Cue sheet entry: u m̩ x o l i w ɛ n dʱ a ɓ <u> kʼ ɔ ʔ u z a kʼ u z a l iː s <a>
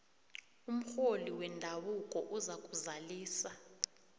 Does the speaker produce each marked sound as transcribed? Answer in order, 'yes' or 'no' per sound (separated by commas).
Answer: yes, yes